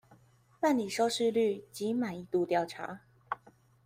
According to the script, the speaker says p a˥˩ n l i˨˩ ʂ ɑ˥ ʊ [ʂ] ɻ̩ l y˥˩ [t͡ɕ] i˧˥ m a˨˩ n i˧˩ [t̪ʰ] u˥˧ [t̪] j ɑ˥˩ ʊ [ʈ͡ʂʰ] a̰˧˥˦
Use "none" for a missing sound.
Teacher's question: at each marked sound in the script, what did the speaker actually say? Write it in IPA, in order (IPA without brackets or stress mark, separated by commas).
ʂ, t͡ɕ, t̪, t̪, ʈ͡ʂʰ